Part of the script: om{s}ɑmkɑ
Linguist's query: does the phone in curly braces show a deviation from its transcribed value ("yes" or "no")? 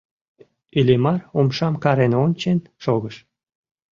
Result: yes